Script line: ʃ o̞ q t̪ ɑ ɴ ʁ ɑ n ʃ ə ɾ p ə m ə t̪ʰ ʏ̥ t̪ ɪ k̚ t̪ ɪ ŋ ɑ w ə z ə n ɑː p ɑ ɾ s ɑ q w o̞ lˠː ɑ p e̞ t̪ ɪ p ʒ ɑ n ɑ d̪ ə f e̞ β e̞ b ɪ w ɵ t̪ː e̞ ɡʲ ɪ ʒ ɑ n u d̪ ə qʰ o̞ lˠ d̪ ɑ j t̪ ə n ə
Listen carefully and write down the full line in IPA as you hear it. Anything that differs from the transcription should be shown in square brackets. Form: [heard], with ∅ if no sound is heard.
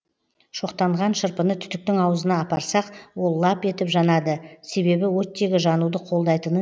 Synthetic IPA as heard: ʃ o̞ q t̪ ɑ ɴ ʁ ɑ n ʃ ə ɾ p ə [n] ə t̪ʰ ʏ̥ t̪ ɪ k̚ t̪ ɪ ŋ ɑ w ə z ə n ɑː p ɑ ɾ s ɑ q w o̞ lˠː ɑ p e̞ t̪ ɪ p ʒ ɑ n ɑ d̪ ə [s] e̞ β e̞ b ɪ w ɵ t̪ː e̞ ɡʲ ɪ ʒ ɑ n u d̪ ə qʰ o̞ lˠ d̪ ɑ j t̪ ə n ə